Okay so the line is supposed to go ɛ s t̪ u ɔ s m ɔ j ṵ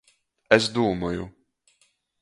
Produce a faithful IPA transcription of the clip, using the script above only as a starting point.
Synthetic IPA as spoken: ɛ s d̪ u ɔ m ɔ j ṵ